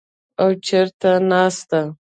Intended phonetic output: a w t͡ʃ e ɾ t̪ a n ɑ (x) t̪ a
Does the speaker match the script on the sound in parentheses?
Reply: no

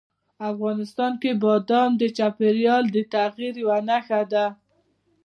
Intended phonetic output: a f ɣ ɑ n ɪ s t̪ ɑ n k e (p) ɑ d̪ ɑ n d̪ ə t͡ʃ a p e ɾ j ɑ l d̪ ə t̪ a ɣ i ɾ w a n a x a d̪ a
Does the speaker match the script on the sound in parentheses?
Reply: no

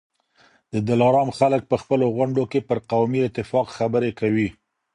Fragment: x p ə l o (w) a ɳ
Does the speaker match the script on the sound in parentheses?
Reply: no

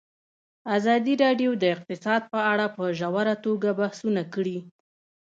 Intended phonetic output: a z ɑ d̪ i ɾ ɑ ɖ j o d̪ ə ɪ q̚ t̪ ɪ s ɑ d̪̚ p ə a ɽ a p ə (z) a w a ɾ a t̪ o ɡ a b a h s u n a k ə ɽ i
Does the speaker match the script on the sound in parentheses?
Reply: no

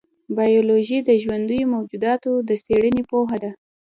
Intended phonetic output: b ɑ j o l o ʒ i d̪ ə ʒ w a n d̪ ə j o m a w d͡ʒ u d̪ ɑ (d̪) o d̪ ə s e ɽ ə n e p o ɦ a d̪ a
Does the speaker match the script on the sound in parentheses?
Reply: no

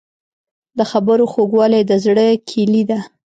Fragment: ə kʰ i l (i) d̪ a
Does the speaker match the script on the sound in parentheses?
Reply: yes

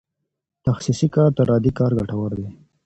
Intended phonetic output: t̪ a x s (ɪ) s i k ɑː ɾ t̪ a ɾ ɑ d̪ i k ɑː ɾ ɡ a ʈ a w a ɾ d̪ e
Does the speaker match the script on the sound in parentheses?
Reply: no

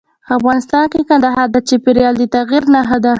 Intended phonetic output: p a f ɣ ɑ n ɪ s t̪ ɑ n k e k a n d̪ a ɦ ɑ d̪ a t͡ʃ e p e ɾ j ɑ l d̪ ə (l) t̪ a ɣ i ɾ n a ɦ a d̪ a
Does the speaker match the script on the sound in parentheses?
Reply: no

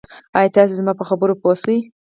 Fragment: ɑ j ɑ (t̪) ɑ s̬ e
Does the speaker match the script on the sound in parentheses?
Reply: yes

